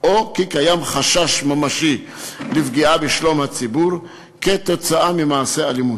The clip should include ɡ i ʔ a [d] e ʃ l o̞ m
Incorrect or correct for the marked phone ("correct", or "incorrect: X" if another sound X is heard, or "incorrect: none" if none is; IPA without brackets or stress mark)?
incorrect: b